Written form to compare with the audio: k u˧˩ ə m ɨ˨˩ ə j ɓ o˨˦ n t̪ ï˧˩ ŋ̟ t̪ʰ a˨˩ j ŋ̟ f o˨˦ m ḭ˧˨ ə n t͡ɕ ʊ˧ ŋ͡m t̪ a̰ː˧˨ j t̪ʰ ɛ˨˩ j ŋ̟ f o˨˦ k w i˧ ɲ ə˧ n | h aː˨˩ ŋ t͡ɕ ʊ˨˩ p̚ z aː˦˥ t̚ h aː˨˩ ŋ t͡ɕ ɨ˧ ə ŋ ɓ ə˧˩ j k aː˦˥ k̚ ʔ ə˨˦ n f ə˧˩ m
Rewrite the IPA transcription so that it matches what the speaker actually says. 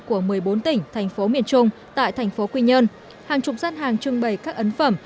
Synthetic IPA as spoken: k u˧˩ ə m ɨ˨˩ ə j ɓ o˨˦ n t̪ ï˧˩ ŋ̟ t̪ʰ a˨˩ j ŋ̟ f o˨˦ m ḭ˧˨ ə n t͡ɕ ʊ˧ ŋ͡m t̪ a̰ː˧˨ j t̪ʰ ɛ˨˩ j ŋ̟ f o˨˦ k w i˧ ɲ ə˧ n | h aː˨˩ ŋ t͡ɕ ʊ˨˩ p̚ z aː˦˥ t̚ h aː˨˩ ŋ t͡ɕ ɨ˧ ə ŋ ɓ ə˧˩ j k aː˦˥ k̚ ʔ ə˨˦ n f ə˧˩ m